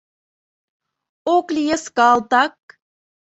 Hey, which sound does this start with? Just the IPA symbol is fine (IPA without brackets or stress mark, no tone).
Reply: o